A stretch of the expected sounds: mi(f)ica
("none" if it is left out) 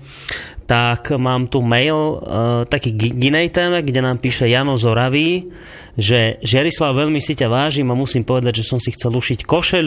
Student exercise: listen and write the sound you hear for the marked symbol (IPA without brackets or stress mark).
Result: s